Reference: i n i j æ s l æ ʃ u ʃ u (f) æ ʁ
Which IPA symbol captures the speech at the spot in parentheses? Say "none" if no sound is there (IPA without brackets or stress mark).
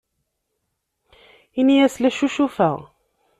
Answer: f